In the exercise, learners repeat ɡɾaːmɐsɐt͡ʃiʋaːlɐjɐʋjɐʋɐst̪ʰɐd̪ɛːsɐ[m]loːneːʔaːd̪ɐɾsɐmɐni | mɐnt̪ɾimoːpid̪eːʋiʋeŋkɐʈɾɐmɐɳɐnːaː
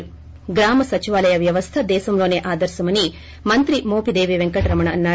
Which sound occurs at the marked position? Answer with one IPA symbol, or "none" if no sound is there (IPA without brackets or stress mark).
m